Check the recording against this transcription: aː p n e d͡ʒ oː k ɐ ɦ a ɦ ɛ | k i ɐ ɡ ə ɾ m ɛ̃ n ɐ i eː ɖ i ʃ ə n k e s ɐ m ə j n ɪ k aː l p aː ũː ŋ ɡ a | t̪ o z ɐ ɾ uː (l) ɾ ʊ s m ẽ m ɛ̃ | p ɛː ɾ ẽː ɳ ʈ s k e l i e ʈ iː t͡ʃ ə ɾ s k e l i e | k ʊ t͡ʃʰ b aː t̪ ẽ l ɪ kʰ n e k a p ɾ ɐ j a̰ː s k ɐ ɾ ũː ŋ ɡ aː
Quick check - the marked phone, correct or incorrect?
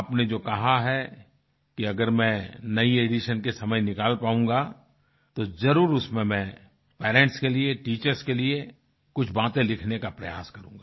incorrect